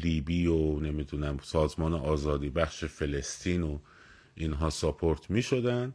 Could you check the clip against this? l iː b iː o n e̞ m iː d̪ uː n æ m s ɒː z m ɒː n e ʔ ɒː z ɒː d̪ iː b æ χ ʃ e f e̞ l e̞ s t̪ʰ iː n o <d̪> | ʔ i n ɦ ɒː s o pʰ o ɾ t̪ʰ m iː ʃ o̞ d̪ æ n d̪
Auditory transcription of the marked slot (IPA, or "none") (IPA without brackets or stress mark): none